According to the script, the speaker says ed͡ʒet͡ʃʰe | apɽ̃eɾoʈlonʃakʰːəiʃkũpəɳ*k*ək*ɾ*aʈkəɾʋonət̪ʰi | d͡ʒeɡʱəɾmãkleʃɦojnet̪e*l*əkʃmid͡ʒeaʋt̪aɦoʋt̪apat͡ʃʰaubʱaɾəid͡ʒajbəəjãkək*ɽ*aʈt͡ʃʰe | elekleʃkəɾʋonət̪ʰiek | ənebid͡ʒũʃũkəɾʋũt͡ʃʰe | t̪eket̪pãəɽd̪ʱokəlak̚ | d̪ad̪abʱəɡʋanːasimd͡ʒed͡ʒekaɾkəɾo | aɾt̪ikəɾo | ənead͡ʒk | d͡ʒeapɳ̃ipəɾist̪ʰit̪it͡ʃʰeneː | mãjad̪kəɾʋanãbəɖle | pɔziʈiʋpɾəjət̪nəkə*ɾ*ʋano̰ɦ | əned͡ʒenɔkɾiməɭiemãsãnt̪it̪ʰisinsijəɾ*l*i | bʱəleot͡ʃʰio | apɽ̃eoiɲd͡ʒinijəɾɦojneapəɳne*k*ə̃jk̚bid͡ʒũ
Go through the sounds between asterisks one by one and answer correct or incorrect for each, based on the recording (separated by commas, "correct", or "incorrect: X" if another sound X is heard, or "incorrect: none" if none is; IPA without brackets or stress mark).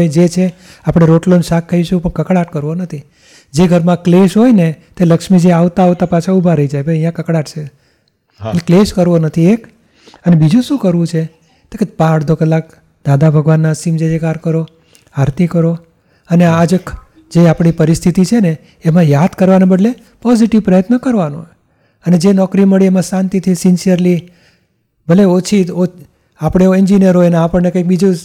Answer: correct, incorrect: ɽ, correct, correct, correct, correct, correct